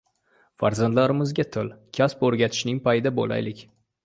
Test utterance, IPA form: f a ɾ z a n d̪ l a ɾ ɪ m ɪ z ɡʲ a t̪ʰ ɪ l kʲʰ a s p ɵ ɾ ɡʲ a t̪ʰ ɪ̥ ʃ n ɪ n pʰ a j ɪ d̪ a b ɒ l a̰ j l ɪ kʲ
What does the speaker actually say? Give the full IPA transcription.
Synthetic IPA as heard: f a ɾ z a n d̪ l a ɾ ɪ m ɪ z ɡʲ a t̪ʰ ɪ l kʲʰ a s p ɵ ɾ ɡʲ a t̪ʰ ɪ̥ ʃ n ɪ ŋ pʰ a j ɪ d̪ a b o l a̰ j l ɪ kʲ